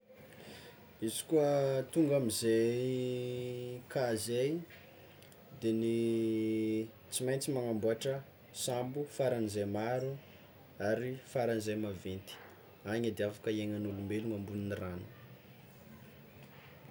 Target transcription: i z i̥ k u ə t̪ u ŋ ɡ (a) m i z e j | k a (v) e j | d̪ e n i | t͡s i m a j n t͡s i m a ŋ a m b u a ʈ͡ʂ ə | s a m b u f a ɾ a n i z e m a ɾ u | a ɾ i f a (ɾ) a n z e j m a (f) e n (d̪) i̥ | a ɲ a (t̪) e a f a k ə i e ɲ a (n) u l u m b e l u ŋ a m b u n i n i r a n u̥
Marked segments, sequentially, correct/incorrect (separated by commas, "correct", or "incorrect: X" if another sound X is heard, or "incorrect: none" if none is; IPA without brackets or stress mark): correct, incorrect: z, correct, incorrect: v, incorrect: t̪, incorrect: d̪, correct